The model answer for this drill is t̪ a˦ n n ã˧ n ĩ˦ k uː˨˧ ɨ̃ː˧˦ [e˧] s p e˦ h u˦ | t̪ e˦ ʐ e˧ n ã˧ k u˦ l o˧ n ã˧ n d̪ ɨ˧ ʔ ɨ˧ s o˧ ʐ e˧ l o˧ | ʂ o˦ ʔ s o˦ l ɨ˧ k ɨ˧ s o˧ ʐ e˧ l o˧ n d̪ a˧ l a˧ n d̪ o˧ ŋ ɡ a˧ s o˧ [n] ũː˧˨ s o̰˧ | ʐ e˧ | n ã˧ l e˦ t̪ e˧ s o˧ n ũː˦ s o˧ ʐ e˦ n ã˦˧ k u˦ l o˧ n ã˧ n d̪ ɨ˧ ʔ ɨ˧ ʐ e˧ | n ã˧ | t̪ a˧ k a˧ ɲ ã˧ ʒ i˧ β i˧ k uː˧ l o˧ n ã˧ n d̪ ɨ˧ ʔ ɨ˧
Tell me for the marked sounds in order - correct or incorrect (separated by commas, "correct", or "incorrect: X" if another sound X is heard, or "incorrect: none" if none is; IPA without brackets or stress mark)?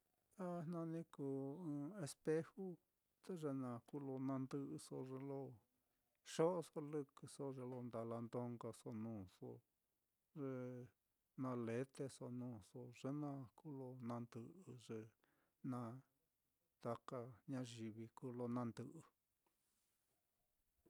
correct, correct